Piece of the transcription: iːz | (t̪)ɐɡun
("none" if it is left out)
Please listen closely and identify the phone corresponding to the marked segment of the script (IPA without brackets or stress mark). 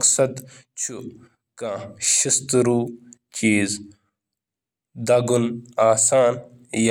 d̪